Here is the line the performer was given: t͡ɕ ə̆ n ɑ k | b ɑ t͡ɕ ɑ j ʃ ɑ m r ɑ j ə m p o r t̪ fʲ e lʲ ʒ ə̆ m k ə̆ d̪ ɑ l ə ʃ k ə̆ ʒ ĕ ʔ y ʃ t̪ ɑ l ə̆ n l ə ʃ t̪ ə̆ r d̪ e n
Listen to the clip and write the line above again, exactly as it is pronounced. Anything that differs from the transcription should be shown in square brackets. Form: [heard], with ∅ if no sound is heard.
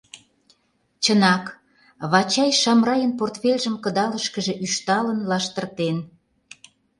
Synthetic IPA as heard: t͡ɕ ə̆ n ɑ k | [β] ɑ t͡ɕ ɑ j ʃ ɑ m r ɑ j ə [n] p o r t̪ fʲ e lʲ ʒ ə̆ m k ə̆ d̪ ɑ l ə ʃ k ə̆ ʒ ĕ ʔ y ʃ t̪ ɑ l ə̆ n l [ɑ] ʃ t̪ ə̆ r [t̪] e n

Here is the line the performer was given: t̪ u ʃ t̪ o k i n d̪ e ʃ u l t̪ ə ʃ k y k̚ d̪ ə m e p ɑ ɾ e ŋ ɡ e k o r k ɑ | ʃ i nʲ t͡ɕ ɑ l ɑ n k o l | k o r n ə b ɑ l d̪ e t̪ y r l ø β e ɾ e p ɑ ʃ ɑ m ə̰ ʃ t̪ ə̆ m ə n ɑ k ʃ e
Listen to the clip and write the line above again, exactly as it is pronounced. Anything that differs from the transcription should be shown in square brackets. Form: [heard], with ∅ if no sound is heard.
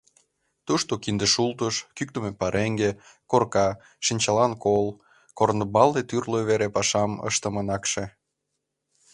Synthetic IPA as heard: t̪ u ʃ t̪ o k i n d̪ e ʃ u l t̪ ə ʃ k y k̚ [t̪] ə m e p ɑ ɾ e ŋ ɡ e k o r k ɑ | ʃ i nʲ t͡ɕ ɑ l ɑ n k o l | k o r n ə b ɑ l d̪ e t̪ y r l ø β e ɾ e p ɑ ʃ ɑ m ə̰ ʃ t̪ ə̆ m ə n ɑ k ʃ e

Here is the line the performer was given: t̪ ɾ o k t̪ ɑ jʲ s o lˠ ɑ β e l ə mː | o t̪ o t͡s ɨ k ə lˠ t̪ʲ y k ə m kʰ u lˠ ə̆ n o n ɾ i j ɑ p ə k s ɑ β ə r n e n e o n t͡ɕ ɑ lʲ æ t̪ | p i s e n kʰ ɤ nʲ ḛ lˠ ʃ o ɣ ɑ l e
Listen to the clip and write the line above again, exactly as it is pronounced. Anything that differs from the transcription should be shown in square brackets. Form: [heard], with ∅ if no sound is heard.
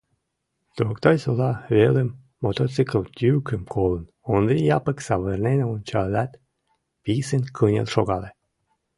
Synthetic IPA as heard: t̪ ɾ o k t̪ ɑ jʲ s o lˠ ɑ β e l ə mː | o t̪ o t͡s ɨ k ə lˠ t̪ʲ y k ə m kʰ [o] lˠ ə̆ n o n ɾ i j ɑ p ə k s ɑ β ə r n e n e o n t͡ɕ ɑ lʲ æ t̪ | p i s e n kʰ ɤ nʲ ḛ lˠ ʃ o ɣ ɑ l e

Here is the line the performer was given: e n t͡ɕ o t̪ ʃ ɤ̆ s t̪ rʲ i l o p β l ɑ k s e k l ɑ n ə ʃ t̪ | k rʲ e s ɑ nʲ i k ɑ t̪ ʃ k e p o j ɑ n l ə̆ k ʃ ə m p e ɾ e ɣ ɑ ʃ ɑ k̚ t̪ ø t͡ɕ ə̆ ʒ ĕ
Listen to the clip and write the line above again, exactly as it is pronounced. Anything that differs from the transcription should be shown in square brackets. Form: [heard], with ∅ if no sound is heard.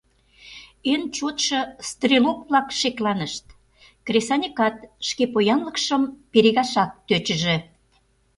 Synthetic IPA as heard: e n t͡ɕ o t̪ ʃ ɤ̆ s t̪ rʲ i l o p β l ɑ k [ʃ] e k l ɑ n ə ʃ t̪ | k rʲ e s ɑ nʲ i k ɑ t̪ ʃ k e p o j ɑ n l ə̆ k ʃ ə m p e ɾ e ɣ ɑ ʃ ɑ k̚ t̪ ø t͡ɕ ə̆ ʒ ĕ

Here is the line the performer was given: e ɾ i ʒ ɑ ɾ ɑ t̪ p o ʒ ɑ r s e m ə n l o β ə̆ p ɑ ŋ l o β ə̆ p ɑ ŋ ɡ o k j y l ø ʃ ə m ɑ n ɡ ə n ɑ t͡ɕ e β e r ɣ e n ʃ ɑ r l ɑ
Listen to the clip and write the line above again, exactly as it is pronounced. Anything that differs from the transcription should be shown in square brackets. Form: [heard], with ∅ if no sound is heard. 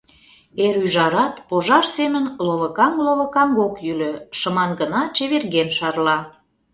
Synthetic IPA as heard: e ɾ [y] ʒ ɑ ɾ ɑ t̪ p o ʒ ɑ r s e m ə n l o β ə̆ [k] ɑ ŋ l o β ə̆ [k] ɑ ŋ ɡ o k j y l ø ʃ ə m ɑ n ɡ ə n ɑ t͡ɕ e β e r ɣ e n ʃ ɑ r l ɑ

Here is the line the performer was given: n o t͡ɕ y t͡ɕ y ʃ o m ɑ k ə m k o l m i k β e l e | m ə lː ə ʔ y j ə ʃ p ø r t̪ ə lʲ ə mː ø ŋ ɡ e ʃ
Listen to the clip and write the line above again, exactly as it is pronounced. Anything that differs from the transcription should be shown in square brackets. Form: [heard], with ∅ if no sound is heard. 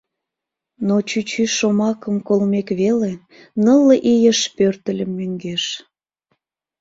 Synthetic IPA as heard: n o t͡ɕ y t͡ɕ y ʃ o m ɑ k ə m k o l m [e] k β e l e | [n] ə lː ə ʔ [i] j ə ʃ p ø r t̪ ə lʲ ə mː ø ŋ ɡ e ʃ

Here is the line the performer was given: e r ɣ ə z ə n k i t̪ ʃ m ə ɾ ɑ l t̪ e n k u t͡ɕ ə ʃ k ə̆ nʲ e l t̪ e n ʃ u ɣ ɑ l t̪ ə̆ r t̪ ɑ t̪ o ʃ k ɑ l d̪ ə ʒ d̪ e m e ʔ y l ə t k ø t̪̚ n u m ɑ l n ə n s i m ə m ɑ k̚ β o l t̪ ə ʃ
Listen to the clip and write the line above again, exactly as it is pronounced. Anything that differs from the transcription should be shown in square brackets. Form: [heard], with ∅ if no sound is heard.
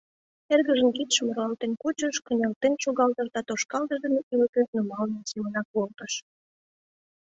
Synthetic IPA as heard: e r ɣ ə [ʒ] ə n k i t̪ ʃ m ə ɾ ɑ l t̪ e n k u t͡ɕ ə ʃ k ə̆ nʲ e l t̪ e n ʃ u ɣ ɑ l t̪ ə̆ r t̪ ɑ t̪ o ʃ k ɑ l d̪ ə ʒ d̪ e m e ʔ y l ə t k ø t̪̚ n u m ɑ l n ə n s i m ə [n] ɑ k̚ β o l t̪ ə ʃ

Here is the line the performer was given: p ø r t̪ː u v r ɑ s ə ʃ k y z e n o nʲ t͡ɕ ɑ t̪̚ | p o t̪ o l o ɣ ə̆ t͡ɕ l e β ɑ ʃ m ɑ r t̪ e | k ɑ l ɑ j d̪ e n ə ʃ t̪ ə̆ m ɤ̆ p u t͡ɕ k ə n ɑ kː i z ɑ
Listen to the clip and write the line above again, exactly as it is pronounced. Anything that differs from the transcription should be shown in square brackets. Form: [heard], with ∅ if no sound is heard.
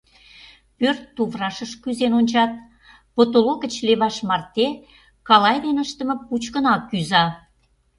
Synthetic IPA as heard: p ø r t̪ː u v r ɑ [ʃ] ə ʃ k y z e n o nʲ t͡ɕ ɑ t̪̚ | p o t̪ o l o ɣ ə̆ t͡ɕ l e β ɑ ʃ m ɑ r t̪ e | k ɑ l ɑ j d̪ e n ə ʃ t̪ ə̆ m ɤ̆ p u t͡ɕ k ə n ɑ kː [y] z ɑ

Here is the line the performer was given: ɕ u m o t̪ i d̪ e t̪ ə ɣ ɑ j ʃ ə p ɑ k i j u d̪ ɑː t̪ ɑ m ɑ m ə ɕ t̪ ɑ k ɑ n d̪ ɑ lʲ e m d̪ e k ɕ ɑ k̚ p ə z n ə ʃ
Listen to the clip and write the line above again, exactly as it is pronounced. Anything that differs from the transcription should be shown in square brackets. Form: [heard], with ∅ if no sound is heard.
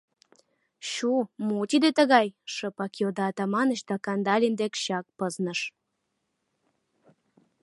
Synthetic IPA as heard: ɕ u m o t̪ i d̪ e t̪ ə ɣ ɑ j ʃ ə p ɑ k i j [o] d̪ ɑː t̪ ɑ m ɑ [n] ə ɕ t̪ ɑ k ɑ n d̪ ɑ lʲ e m d̪ e k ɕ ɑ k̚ p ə z n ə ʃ

